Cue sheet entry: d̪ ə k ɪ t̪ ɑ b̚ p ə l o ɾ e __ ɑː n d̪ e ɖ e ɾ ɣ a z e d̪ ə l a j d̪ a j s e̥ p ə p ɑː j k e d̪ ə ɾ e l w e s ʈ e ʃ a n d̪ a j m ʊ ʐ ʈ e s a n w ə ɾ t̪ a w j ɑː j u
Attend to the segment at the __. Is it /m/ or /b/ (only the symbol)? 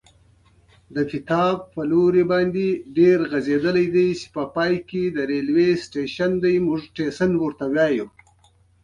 b